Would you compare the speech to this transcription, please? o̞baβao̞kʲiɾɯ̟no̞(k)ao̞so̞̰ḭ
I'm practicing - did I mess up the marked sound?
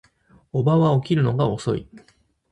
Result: yes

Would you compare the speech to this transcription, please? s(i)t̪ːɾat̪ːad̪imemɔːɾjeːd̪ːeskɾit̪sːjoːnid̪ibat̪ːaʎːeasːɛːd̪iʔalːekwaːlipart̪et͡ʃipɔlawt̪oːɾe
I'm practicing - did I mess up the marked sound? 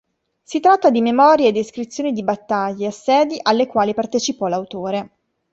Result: no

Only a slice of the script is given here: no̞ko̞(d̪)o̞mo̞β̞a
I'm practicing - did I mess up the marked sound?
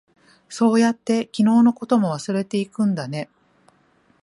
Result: yes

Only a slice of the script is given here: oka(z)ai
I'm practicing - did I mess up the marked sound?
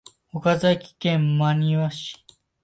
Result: no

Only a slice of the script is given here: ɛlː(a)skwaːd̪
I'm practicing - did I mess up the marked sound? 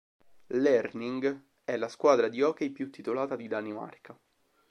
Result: no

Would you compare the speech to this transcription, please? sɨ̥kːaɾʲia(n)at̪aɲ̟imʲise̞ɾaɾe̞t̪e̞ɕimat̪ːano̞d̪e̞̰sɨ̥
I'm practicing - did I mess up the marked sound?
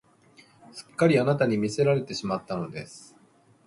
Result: no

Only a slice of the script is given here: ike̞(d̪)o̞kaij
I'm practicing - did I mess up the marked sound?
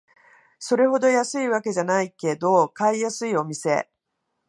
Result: no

